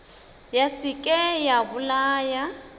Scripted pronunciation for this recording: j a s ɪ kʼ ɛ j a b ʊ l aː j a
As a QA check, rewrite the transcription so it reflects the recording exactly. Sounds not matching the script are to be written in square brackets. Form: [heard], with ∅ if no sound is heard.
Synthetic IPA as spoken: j a s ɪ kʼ ɛ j a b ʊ l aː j a

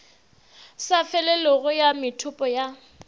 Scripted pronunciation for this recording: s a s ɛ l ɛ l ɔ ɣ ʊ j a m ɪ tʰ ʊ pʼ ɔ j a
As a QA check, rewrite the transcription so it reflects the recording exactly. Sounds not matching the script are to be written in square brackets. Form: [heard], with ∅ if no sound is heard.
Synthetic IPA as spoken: s a [f] ɛ l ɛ l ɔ ɣ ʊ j a m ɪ tʰ ʊ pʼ ɔ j a

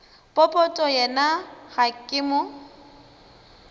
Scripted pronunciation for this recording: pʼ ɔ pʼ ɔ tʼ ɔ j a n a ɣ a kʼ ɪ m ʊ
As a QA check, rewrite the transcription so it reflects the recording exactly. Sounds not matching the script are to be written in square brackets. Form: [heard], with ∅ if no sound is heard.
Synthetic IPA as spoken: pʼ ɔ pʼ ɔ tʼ ɔ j [ɛ] n a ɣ a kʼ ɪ m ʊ

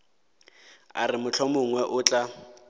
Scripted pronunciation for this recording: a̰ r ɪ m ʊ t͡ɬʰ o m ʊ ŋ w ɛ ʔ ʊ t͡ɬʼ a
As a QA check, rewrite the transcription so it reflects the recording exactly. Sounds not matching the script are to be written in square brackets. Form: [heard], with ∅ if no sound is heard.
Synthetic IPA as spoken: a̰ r ɪ m ʊ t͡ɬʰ [ɔ] m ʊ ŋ w ɛ ʔ ʊ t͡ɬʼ a

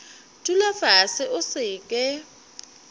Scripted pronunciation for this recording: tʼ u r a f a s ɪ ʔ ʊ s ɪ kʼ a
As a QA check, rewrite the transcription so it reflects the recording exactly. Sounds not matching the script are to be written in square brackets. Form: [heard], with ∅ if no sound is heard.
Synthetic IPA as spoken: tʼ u [l] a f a s ɪ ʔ ʊ s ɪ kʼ [ɛ]

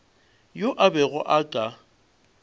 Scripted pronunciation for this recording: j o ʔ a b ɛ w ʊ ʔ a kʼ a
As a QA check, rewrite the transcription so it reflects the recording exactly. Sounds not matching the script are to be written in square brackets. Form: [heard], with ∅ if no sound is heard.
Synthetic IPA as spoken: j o ʔ a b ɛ [ɣ] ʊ ʔ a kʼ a

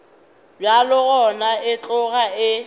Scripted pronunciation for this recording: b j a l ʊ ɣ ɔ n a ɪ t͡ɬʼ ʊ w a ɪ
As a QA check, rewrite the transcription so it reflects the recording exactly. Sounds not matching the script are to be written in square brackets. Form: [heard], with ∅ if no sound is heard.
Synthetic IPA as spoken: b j a l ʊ ɣ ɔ n a ɪ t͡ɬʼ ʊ [ɣ] a ɪ

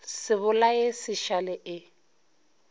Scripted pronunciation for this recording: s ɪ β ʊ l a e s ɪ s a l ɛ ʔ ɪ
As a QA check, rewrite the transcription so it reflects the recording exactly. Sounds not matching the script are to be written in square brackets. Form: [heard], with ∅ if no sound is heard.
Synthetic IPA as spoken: s ɪ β ʊ l a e s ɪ [ʃ] a l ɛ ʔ ɪ

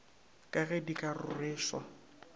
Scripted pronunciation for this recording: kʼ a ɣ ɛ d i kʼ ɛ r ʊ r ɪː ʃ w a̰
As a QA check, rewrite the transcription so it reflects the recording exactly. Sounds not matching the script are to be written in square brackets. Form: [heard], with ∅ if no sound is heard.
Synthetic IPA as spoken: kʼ a ɣ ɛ d i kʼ [a] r ʊ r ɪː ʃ w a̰

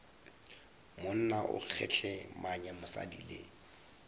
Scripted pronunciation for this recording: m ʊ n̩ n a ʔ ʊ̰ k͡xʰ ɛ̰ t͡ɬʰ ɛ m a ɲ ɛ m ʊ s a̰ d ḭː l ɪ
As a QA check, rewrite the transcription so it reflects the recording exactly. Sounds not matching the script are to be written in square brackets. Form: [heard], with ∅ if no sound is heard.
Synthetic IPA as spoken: m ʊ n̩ n a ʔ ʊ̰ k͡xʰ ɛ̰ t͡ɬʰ ɛ m a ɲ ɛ m ʊ s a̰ d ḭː l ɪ

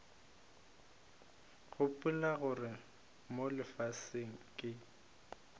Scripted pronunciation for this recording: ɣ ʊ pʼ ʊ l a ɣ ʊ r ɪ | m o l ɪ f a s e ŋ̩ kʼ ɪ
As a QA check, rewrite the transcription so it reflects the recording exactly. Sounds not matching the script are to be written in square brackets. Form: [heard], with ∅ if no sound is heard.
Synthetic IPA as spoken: ɣ ʊ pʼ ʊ l a ɣ ʊ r ɪ | m o l ɪ f a s e ŋ̩ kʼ ɪ

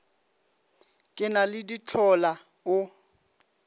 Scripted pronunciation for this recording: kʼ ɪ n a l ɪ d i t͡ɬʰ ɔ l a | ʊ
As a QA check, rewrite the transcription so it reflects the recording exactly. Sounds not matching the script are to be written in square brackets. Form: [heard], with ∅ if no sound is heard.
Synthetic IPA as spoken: kʼ ɪ n a l ɪ d i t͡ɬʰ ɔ l a | ʊ

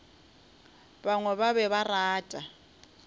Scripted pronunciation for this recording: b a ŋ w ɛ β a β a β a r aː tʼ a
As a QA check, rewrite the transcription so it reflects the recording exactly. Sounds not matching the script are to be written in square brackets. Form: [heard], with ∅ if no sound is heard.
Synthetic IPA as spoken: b a ŋ w ɛ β a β [ɛ] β a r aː tʼ a

